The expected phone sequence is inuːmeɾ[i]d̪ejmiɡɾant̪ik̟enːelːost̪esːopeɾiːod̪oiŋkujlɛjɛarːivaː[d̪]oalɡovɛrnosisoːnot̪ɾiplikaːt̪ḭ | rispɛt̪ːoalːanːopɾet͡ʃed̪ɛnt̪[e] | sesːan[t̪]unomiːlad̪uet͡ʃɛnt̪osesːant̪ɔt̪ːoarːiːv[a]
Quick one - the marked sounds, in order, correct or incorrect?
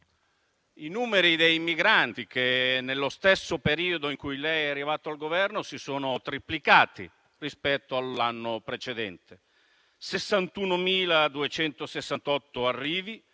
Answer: correct, incorrect, correct, correct, incorrect

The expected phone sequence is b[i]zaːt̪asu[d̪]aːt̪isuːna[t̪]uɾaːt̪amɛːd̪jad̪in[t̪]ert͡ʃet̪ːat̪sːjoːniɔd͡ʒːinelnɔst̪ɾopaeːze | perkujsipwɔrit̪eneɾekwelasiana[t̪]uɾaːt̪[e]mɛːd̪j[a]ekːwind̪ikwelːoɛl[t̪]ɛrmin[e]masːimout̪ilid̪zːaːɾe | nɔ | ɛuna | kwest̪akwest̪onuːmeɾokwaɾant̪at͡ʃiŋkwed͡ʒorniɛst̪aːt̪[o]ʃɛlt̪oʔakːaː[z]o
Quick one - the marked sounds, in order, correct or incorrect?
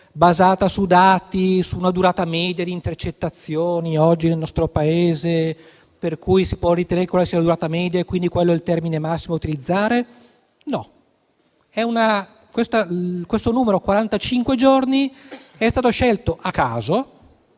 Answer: incorrect, correct, incorrect, correct, incorrect, incorrect, correct, correct, correct, correct, correct

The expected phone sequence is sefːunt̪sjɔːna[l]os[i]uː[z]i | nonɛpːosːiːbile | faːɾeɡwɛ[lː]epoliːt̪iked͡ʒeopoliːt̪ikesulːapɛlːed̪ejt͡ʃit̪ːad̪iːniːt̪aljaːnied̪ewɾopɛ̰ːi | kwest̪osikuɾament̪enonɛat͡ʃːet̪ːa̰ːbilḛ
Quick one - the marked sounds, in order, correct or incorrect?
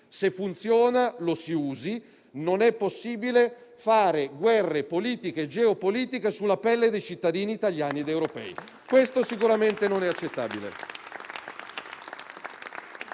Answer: correct, correct, correct, incorrect

